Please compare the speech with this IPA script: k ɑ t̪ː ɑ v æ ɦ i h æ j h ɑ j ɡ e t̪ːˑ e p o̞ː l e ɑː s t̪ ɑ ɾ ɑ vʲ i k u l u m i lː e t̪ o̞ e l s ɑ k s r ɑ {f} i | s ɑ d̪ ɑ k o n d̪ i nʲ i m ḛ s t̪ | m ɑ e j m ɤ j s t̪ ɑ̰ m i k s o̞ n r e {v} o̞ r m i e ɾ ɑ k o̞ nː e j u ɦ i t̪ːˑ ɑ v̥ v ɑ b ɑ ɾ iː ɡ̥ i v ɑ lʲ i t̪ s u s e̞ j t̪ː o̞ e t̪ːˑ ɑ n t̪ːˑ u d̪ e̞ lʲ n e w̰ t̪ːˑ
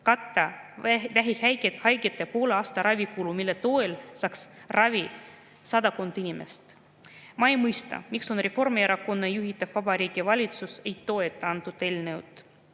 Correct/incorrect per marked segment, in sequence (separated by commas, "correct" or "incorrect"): incorrect, incorrect